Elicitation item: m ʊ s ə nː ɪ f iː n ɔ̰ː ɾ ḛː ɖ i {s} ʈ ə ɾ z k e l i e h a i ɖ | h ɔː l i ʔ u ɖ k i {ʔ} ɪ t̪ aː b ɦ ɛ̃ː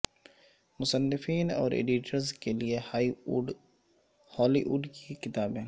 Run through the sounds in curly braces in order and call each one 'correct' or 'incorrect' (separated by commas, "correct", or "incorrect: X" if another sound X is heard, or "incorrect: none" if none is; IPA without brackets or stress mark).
incorrect: none, incorrect: k